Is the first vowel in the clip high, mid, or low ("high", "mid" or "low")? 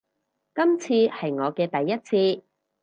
low